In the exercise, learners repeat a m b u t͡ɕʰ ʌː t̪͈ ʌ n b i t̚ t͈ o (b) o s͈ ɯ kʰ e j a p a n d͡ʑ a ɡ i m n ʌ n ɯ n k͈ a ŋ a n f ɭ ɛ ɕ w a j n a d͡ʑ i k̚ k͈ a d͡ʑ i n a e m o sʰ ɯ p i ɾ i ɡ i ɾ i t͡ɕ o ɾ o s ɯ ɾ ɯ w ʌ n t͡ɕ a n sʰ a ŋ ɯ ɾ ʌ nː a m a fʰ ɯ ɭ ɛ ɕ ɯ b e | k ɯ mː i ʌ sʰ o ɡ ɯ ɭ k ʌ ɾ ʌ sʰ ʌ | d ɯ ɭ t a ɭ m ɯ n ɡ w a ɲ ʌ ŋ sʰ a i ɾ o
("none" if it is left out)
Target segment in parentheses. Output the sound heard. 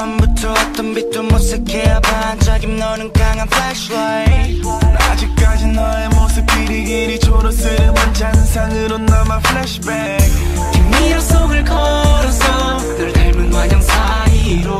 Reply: m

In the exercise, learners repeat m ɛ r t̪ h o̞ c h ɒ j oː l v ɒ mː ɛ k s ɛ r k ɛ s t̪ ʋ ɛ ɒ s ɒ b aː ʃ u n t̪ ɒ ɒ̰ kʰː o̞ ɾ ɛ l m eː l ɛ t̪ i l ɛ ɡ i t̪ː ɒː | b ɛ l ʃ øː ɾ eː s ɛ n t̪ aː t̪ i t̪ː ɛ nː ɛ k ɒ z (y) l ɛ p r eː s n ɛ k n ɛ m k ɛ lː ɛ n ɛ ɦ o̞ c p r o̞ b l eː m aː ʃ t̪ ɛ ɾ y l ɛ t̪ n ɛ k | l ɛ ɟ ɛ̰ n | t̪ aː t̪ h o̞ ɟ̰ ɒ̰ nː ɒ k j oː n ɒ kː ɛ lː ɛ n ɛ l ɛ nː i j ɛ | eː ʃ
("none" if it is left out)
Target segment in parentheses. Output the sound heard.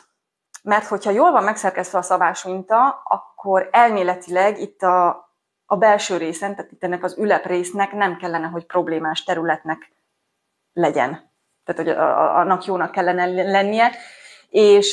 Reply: y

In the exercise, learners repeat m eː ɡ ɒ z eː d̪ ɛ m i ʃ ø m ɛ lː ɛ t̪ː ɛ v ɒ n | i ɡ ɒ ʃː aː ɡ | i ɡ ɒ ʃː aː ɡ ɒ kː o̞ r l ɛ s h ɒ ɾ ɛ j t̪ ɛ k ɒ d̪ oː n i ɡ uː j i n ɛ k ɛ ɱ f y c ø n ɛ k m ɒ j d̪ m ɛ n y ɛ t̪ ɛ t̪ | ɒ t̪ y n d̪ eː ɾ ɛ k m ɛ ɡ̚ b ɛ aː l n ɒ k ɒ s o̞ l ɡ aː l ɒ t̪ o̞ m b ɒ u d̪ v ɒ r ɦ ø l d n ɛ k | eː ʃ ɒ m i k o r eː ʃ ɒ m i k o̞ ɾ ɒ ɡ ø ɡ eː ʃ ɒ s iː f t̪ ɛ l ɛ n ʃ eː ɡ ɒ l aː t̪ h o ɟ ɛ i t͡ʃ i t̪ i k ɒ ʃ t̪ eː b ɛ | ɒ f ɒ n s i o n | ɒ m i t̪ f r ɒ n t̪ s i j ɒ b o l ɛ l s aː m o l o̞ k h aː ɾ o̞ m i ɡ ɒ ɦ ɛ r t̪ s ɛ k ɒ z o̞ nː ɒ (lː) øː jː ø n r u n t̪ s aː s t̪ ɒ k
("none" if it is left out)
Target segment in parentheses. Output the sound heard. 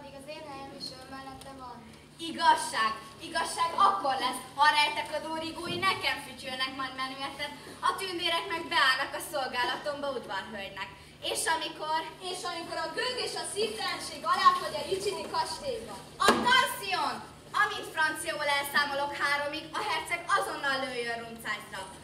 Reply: lː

